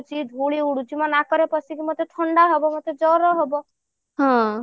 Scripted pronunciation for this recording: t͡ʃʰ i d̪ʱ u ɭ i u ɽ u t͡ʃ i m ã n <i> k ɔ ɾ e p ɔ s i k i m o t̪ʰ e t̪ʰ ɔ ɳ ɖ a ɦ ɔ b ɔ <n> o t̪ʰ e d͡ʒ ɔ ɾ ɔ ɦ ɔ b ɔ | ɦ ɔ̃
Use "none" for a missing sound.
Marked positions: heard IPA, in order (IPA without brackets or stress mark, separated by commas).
a, m